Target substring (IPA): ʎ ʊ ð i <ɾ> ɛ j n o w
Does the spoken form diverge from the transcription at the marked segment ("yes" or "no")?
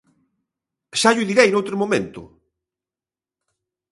no